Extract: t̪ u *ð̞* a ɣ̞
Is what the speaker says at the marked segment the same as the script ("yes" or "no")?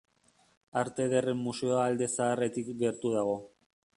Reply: yes